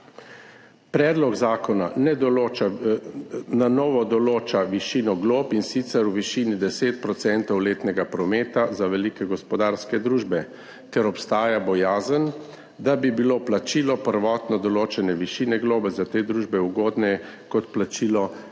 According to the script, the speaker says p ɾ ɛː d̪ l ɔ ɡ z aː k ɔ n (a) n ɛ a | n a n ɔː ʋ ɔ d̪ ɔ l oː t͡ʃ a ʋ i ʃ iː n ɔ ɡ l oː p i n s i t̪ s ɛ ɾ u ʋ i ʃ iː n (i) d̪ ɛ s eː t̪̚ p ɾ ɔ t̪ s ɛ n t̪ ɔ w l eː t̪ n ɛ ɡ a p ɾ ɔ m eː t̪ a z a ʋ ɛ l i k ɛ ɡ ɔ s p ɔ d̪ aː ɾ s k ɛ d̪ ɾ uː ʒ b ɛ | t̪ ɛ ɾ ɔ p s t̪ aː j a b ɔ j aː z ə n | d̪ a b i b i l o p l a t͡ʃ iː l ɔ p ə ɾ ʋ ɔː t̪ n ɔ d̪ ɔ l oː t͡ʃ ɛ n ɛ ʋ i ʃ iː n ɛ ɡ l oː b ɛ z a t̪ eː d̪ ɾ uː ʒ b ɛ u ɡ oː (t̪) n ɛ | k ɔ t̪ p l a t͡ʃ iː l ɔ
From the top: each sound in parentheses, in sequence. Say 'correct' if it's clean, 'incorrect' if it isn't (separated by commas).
correct, correct, incorrect